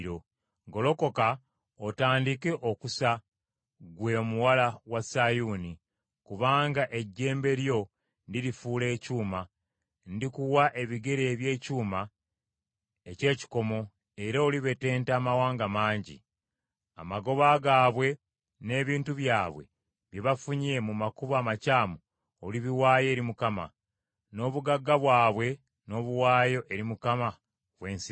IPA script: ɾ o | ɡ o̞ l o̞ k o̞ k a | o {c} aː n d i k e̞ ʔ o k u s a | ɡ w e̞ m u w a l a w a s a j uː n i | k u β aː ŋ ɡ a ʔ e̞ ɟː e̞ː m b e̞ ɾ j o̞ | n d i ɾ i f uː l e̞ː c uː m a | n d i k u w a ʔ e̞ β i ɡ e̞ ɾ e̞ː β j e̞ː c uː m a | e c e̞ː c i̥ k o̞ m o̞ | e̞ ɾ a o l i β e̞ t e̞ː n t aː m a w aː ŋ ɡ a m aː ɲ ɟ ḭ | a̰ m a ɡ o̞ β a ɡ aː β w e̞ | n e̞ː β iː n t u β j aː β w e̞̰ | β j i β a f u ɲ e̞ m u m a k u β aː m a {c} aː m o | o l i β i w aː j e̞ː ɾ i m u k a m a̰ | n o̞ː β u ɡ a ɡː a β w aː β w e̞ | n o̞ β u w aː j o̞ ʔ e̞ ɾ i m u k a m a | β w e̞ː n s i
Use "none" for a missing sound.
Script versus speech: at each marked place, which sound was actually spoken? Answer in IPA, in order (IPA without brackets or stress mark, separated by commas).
t, c